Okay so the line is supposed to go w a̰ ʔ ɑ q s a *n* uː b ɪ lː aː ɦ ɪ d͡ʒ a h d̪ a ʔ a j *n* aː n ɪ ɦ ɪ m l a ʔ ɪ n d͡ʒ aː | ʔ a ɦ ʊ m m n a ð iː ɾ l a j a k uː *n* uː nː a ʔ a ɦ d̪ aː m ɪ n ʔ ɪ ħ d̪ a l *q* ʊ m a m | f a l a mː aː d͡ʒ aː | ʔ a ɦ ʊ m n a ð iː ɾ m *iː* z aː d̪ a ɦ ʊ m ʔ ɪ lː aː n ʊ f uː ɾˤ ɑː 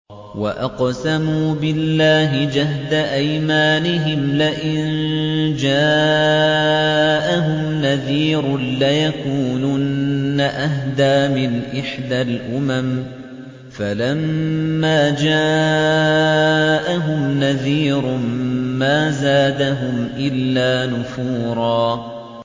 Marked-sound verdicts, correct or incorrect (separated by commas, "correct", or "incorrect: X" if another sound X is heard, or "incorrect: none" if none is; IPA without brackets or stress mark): incorrect: m, incorrect: m, correct, incorrect: ʔ, incorrect: aː